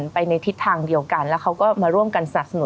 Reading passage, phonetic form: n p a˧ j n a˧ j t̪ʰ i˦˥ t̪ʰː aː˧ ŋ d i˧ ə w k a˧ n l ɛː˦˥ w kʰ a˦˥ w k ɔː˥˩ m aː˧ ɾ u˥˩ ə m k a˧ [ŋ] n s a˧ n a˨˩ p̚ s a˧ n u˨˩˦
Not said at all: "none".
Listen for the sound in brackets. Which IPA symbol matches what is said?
none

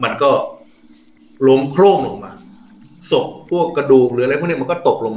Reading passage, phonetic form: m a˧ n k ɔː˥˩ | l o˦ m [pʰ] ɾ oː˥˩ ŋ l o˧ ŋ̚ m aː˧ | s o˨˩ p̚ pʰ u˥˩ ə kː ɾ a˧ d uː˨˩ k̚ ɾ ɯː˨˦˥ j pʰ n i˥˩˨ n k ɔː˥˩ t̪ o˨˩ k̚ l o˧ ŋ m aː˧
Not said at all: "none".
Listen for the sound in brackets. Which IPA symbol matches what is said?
kʰ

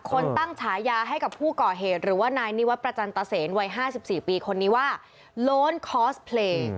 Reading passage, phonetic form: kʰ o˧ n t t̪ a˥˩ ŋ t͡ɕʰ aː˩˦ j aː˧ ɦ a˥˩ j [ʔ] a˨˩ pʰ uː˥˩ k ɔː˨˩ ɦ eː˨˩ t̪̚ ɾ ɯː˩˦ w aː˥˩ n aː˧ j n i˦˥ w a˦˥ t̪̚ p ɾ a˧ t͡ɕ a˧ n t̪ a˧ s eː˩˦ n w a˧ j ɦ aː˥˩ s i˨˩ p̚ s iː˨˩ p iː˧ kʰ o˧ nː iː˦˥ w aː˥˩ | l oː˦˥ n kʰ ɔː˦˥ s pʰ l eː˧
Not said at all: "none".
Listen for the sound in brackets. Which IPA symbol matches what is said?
k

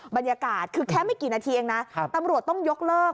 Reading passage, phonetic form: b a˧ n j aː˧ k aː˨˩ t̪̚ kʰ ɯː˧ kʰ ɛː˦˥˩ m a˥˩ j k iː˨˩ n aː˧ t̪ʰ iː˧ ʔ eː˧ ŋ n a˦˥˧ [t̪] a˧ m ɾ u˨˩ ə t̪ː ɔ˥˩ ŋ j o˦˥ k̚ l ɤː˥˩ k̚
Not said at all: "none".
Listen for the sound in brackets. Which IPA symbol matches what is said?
t̪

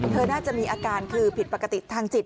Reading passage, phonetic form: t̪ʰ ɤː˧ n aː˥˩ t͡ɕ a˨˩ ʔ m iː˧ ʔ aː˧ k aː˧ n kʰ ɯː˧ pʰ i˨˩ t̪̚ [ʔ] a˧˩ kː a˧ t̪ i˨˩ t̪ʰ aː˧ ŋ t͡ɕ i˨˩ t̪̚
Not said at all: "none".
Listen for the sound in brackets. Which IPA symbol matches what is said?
p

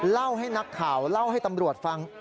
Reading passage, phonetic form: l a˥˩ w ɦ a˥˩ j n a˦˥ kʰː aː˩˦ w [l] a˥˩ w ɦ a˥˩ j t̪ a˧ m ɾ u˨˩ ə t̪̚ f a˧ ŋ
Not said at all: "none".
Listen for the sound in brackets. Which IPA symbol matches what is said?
l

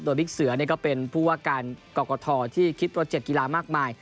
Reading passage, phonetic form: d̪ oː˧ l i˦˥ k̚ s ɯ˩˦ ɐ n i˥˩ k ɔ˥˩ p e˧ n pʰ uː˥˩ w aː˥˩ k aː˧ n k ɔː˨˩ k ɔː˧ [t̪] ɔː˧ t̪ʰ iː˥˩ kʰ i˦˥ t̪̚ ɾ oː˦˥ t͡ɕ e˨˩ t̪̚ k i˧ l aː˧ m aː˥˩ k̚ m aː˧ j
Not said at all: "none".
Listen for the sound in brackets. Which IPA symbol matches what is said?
t̪ʰ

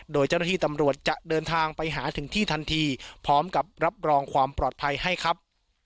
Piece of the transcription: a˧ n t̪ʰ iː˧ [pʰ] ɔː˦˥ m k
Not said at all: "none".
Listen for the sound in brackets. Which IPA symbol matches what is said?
pʰ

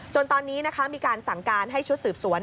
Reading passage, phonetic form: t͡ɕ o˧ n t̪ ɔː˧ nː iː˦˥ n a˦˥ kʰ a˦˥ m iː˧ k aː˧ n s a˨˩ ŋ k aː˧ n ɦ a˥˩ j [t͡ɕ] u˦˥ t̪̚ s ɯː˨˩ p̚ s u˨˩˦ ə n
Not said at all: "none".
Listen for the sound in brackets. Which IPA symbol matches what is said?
t͡ɕʰ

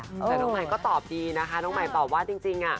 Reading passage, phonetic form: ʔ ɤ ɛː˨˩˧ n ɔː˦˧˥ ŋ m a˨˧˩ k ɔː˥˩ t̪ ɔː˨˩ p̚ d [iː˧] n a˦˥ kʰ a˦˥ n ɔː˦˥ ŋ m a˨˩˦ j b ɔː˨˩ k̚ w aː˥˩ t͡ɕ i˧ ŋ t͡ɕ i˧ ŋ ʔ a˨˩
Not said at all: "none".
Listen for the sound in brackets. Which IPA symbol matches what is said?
iː˧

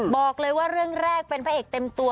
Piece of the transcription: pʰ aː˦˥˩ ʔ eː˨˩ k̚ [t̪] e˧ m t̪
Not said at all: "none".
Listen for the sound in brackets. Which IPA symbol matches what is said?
t̪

